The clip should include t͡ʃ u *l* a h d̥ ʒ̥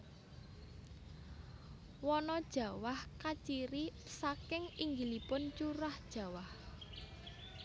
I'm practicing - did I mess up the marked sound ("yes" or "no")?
yes